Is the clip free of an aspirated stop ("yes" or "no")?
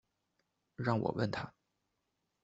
no